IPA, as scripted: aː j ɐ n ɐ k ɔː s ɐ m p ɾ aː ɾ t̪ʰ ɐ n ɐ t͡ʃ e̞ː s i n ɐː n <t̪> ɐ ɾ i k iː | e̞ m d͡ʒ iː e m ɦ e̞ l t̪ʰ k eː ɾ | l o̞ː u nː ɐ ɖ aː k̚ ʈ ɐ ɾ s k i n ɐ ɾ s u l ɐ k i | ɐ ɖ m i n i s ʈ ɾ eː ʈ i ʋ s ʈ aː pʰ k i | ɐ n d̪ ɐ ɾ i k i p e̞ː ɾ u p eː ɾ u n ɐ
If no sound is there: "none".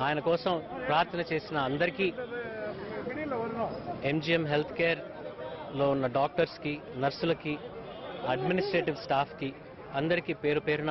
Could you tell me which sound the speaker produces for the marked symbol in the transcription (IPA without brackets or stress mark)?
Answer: d̪